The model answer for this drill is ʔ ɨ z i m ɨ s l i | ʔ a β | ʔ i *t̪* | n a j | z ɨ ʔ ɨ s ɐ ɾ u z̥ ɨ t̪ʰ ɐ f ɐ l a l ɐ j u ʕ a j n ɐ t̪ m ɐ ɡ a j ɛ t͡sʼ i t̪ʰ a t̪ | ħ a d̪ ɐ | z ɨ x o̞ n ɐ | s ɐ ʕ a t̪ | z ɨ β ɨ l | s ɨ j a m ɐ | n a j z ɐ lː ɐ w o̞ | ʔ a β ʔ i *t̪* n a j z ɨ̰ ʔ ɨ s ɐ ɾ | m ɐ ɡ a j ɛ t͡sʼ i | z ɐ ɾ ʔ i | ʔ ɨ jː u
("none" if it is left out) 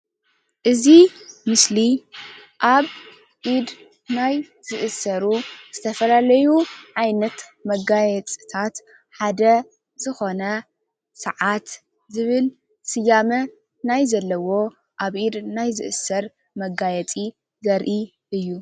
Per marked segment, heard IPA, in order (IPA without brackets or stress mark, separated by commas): d̪, d̪